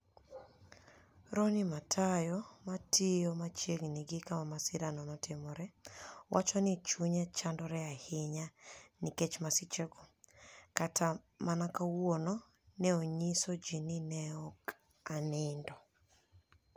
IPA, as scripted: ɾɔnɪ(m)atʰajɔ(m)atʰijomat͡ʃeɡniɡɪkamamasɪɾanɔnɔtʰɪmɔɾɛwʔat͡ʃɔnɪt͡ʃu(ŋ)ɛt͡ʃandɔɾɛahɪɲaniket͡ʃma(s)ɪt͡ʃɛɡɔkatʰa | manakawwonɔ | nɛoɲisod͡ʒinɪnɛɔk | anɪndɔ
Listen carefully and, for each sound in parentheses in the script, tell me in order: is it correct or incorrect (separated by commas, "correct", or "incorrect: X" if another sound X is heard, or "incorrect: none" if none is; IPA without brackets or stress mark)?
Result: correct, correct, incorrect: ɲ, correct